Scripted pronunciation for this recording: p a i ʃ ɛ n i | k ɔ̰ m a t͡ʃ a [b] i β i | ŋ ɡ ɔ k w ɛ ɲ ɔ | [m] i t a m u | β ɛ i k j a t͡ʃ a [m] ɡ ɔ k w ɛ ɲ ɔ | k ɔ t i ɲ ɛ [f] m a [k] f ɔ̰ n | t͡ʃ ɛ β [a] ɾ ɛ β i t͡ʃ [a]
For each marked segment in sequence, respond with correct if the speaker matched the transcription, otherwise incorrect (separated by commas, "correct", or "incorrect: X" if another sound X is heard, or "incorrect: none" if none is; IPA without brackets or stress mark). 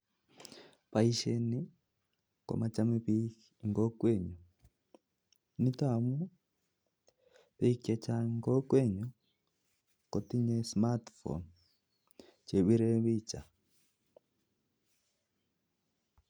incorrect: m, incorrect: n, incorrect: ŋ, incorrect: s, incorrect: t, incorrect: i, correct